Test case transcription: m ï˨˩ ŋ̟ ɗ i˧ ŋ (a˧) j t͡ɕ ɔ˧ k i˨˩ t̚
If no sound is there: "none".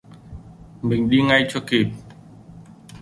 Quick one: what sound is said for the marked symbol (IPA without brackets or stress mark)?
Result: a˧